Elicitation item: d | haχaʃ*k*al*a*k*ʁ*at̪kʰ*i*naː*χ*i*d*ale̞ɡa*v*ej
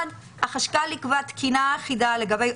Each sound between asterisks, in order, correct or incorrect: correct, incorrect: i, incorrect: v, correct, correct, correct, incorrect: b

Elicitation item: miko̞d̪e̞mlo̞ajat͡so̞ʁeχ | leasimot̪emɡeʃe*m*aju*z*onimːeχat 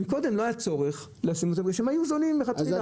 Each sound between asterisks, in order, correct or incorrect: correct, correct

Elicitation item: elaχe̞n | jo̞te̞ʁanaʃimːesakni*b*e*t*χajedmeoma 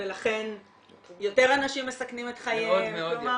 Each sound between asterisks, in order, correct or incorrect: incorrect: m, correct

